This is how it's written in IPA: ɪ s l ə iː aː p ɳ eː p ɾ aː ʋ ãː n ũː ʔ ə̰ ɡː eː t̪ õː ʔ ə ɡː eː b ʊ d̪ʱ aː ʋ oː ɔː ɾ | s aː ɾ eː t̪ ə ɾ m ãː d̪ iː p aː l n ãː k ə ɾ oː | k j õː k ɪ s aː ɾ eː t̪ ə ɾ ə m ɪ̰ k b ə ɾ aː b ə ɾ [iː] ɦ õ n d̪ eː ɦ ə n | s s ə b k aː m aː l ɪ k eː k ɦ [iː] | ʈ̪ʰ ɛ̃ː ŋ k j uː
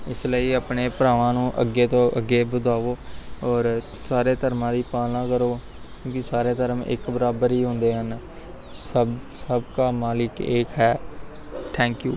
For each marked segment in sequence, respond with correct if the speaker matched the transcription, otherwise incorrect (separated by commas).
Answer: correct, incorrect